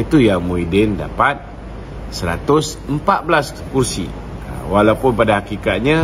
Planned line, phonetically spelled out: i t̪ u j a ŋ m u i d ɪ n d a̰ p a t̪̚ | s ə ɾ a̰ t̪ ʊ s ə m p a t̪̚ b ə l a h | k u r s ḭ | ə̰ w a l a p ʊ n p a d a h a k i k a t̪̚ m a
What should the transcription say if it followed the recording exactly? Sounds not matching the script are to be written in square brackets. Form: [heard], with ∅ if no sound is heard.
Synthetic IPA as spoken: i t̪ u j a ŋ m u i d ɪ n d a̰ p a t̪̚ | s ə ɾ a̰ t̪ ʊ s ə m p a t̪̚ b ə l a [s] | k u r s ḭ | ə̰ w a l a p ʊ n p a d a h a k i k a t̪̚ [ɲ] a

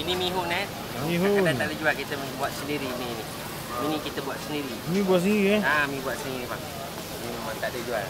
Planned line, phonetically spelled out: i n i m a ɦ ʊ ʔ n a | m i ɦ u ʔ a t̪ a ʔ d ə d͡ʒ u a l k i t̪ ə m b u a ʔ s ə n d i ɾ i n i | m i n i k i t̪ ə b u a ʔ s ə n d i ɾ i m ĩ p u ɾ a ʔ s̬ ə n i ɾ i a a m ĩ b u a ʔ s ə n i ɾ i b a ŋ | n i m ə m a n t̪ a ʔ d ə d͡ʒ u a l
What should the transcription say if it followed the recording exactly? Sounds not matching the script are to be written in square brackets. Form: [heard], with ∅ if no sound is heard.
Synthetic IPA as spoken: i n i m [i] ɦ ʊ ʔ n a | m i ɦ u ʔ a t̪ a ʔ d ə d͡ʒ u a l k i t̪ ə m b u a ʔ s ə n d i ɾ i n i | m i n i k i t̪ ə b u a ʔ s ə n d i ɾ i m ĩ [b] u [∅] a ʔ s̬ ə n i ɾ i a a m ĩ b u a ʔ s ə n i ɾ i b a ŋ | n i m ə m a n t̪ a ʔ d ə d͡ʒ u a l

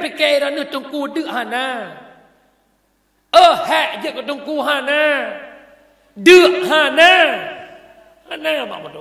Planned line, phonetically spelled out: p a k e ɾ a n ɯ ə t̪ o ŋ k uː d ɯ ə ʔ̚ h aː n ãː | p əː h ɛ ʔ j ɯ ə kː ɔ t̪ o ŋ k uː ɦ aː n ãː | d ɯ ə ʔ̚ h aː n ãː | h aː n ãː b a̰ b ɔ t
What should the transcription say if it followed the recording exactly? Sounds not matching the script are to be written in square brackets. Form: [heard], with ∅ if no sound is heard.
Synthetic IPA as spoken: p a k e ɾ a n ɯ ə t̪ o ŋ k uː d ɯ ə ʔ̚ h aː n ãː | [ʔ] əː h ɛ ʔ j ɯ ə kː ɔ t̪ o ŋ k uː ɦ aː n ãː | d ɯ ə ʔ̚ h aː n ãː | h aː n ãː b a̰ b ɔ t

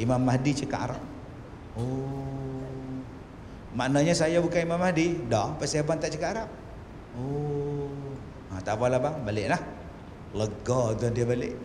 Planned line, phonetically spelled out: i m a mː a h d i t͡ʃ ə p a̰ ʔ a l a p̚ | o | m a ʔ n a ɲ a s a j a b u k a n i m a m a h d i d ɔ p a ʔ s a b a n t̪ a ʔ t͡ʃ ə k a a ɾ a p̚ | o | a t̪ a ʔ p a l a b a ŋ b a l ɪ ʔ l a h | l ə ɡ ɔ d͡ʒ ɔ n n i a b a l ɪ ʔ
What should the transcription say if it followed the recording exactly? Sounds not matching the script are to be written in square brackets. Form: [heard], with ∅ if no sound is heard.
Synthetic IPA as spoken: i m a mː a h d i t͡ʃ ə [k] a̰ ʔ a [ɾ] a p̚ | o | m a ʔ n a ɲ a s a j a b u k a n i m a m a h d i d ɔ p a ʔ s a b a n t̪ a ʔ t͡ʃ ə k a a ɾ a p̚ | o | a t̪ a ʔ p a l a b a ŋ b a l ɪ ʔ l a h | l ə ɡ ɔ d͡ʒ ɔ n [d] i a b a l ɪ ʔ

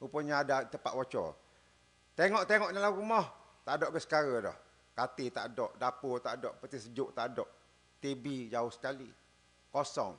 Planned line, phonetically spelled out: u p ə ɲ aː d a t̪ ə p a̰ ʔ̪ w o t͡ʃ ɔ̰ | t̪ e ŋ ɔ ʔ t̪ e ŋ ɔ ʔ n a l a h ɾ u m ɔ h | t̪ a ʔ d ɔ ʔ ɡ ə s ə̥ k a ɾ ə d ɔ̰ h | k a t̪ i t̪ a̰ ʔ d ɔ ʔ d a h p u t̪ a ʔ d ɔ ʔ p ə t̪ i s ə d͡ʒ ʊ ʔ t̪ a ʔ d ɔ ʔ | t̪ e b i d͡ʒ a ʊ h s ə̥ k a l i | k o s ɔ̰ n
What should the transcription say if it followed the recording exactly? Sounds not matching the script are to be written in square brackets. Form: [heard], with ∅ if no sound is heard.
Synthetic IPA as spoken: u p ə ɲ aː d a t̪ ə p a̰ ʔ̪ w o t͡ʃ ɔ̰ | t̪ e ŋ ɔ ʔ t̪ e ŋ ɔ ʔ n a l a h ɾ u m ɔ h | t̪ a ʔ d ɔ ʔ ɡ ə s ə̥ k a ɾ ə d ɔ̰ h | k a t̪ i t̪ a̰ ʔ d ɔ ʔ d a [∅] p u t̪ a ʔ d ɔ ʔ p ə t̪ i s ə d͡ʒ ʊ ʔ t̪ a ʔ d ɔ ʔ | t̪ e b i d͡ʒ a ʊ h s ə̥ k a l i | k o s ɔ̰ [ŋ]

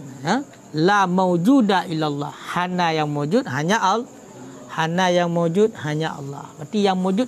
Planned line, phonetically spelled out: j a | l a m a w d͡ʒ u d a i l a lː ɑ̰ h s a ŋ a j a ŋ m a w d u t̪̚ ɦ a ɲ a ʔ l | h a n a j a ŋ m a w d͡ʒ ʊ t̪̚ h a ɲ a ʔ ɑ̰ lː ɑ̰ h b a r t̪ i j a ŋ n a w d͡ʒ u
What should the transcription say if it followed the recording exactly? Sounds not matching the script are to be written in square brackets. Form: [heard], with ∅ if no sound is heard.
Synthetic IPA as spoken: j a | l a m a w d͡ʒ u d a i l a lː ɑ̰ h [h] a [n] a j a ŋ m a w [d͡ʒ] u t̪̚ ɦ a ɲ a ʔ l | h a n a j a ŋ m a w d͡ʒ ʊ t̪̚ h a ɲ a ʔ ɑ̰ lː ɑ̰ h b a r t̪ i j a ŋ [m] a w d͡ʒ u

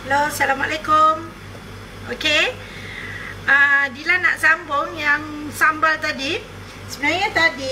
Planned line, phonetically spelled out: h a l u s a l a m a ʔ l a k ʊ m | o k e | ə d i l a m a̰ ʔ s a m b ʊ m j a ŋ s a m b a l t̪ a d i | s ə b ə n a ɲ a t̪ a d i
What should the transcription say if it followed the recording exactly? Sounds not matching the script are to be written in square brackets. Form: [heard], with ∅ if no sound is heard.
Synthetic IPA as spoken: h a l [o] s a l a m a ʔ l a k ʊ m | o k e | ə d i l a [n] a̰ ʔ s a m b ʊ [ŋ] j a ŋ s a m b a l t̪ a d i | s ə b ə n a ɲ a t̪ a d i

